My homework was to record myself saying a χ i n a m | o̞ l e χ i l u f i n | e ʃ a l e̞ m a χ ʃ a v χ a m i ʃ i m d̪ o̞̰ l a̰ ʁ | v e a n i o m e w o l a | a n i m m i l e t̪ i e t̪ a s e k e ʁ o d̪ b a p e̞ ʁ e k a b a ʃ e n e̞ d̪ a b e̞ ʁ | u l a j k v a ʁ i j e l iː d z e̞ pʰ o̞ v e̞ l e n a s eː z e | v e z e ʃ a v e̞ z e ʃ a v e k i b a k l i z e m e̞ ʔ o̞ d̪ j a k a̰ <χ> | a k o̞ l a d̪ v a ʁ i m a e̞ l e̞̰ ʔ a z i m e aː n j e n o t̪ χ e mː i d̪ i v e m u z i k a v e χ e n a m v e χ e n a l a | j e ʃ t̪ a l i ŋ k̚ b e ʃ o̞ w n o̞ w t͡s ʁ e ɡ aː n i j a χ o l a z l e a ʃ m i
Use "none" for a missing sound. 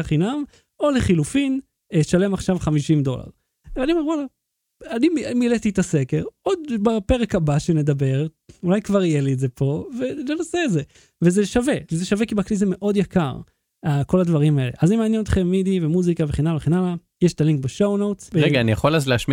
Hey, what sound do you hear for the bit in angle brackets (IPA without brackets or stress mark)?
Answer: ʁ